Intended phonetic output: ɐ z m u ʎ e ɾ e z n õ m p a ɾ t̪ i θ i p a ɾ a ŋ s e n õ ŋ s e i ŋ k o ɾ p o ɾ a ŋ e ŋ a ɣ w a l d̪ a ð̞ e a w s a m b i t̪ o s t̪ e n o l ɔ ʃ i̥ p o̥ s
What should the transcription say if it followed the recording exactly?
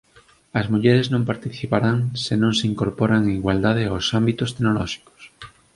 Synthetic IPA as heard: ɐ z m u ʎ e ɾ e z n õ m p a ɾ t̪ i θ i p a ɾ a ŋ s e n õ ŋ s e i ŋ k o ɾ p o ɾ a ŋ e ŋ i ɣ w a l d̪ a ð̞ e a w s a m b i t̪ o s t̪ e n o l ɔ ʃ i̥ k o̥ s